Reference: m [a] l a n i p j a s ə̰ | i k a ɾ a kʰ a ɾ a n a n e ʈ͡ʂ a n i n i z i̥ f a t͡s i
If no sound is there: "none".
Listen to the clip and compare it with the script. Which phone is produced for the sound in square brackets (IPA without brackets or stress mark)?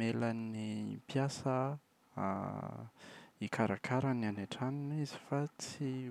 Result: e